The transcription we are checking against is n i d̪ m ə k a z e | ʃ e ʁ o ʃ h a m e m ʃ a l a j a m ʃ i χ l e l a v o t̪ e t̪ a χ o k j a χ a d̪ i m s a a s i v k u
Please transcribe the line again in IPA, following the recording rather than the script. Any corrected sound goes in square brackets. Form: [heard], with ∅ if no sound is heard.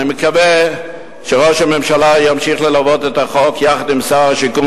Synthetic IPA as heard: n i [∅] m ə k a [v] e | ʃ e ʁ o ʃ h a m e m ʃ a l a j a m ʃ i χ l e l a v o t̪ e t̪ a χ o k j a χ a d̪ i m s a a [ʃ] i [∅] k u